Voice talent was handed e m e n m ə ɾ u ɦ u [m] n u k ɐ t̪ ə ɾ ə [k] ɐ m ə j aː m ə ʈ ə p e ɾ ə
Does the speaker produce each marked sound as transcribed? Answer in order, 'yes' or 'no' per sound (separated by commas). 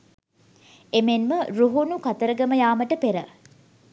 no, no